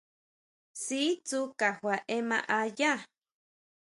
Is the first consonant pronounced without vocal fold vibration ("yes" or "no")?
yes